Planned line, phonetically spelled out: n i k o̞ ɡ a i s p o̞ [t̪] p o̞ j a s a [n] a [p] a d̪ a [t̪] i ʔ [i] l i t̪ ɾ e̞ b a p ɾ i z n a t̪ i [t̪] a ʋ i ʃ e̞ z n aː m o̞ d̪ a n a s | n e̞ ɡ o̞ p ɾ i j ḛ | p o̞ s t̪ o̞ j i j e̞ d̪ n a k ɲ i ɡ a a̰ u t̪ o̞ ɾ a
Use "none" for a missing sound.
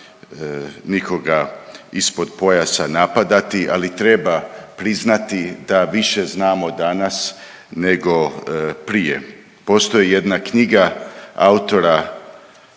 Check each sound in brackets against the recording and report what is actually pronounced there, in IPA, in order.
d̪, n, p, t̪, a, d̪

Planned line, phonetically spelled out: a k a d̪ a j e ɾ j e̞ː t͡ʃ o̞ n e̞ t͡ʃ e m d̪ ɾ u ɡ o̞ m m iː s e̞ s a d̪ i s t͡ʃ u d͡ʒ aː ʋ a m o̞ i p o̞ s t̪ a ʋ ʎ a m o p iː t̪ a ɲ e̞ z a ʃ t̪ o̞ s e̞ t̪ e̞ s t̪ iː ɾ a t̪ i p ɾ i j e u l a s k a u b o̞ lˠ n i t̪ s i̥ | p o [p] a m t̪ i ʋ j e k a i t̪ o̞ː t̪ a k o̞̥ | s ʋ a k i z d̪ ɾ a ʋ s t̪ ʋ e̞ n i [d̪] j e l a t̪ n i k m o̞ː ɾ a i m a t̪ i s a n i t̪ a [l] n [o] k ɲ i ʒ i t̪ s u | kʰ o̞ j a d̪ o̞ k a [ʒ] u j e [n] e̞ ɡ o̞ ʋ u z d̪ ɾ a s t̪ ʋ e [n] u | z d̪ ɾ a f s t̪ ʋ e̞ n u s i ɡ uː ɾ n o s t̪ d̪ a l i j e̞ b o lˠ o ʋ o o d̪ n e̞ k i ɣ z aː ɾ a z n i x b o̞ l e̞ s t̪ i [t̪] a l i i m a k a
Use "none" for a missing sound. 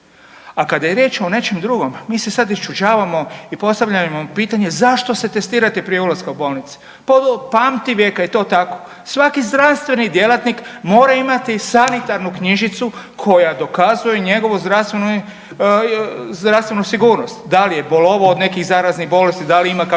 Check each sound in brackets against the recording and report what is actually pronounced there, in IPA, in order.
p, d̪, ɾ, u, z, ɲ, n, d̪

